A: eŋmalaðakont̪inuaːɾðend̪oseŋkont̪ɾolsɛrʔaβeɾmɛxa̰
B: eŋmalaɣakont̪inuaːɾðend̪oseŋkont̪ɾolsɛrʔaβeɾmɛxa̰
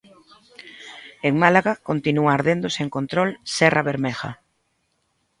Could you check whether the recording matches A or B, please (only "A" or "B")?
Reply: B